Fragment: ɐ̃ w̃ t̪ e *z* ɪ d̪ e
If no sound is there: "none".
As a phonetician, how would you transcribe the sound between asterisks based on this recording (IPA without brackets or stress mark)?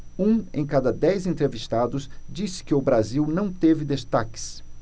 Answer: v